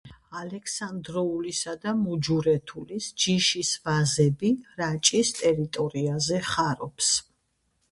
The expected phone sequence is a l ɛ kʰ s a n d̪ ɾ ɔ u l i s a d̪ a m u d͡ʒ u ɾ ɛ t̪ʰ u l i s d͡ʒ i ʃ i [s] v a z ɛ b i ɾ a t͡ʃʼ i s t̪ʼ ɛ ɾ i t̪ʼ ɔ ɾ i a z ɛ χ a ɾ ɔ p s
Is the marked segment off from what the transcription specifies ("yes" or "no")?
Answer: no